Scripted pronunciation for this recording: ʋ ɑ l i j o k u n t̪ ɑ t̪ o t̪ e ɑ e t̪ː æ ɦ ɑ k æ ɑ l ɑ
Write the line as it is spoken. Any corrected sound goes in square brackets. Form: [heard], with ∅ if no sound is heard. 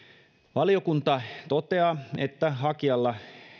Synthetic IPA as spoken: ʋ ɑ l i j o k u n t̪ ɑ t̪ o t̪ e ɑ e t̪ː æ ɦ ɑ k [i] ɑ [lː] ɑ